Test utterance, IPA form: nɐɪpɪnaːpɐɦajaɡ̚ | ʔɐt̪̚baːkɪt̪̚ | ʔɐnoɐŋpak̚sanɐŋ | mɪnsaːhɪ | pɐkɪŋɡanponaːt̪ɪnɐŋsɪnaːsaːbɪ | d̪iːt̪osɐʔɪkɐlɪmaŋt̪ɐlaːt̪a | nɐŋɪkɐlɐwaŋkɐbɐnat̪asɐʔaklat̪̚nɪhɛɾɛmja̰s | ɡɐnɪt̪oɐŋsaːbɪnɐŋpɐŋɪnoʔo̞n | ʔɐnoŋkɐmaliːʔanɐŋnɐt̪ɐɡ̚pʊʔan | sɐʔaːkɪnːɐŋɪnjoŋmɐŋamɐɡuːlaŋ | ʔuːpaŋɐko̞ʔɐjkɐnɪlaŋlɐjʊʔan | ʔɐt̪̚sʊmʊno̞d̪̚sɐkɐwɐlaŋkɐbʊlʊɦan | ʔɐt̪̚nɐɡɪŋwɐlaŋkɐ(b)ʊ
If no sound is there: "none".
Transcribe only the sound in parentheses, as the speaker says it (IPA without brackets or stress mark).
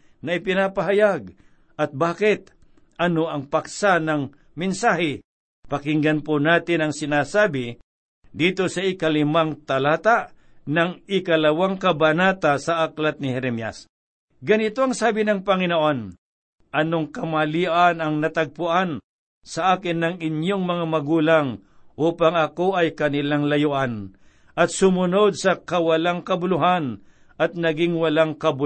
b